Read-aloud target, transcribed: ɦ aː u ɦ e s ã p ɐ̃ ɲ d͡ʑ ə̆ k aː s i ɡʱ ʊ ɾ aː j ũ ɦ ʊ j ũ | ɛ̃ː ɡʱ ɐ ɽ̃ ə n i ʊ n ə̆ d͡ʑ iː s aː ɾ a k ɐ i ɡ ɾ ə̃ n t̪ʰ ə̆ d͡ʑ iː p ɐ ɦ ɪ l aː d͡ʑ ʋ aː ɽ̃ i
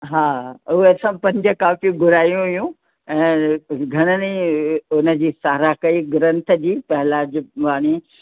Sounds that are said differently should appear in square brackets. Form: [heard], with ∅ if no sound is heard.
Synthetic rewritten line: ɦ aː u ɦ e s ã p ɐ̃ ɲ d͡ʑ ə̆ k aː [f] i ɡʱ ʊ ɾ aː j ũ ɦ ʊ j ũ | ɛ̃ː ɡʱ ɐ ɽ̃ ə n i ʊ n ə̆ d͡ʑ iː s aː ɾ a k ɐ i ɡ ɾ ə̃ n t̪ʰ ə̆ d͡ʑ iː p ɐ ɦ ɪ l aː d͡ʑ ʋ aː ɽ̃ i

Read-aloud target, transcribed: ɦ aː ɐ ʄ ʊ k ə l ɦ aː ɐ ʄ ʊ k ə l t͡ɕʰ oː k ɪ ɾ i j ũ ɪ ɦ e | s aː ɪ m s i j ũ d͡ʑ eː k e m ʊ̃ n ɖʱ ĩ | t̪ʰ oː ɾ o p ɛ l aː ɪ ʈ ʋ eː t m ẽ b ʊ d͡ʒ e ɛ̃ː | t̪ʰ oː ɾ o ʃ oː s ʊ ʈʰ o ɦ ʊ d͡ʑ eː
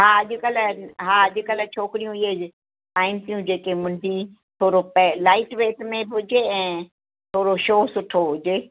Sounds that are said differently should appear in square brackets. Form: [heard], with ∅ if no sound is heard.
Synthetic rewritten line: ɦ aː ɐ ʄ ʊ k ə l ɦ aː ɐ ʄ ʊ k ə l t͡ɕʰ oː k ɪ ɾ i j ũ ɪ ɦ e | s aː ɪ m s i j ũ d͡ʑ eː k e m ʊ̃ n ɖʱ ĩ | t̪ʰ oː ɾ o p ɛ l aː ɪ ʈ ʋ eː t m ẽ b ʊ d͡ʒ e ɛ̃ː | t̪ʰ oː ɾ o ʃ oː s ʊ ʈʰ o ɦ ʊ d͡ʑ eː

